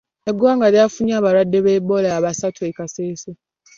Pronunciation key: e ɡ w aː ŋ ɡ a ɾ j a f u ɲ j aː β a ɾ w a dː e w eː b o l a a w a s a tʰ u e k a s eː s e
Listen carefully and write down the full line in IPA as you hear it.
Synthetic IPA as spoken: e ɡ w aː ŋ ɡ a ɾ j a f u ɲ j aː β a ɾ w a dː e β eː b o l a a β a s a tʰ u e k a s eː s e